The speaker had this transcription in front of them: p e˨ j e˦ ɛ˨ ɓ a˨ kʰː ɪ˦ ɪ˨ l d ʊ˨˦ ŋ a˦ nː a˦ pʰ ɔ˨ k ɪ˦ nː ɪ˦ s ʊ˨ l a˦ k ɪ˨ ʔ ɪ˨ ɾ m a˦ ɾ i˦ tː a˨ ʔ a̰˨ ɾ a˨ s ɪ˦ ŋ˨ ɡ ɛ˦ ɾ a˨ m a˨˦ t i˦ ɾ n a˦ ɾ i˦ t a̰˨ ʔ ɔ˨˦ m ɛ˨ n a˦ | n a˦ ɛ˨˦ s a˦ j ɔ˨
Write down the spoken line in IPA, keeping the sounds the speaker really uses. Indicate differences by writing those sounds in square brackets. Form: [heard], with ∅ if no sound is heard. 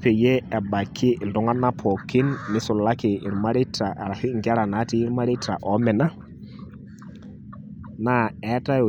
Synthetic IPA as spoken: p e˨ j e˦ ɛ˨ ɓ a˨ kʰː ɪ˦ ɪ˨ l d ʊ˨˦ ŋ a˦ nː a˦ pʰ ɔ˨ k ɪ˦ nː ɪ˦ s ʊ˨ l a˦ k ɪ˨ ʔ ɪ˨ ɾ m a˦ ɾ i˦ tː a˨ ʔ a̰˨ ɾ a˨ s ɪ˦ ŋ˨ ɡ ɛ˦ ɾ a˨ [n] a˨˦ t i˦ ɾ [m] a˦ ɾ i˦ t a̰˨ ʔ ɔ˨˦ m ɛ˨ n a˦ | n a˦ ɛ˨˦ [t] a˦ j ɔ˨